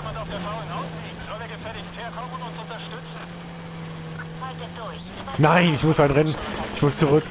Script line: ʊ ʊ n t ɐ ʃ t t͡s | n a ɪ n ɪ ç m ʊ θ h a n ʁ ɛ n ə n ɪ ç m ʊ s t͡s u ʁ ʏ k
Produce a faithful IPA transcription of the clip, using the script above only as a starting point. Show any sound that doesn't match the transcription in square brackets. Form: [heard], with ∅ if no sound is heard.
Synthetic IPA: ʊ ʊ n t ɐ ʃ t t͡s | n a ɪ n ɪ ç m ʊ [s] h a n ʁ ɛ n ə n ɪ ç m ʊ s t͡s u ʁ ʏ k